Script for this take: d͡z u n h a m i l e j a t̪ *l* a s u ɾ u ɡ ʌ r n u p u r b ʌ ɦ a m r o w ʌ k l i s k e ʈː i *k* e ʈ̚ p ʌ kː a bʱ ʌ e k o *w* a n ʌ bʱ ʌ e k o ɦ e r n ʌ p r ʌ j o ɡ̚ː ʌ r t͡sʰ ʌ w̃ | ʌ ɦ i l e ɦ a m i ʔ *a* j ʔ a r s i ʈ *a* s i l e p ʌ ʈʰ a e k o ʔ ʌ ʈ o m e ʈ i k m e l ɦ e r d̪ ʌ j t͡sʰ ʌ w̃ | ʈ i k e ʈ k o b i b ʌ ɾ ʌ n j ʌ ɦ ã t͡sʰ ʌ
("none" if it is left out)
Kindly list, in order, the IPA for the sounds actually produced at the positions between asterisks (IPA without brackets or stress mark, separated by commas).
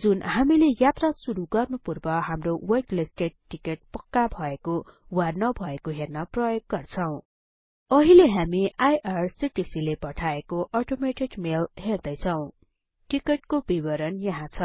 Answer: r, k, w, a, i